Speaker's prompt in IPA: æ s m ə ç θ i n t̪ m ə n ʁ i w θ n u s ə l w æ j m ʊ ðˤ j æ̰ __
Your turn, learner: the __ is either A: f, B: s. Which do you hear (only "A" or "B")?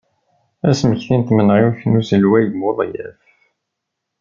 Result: A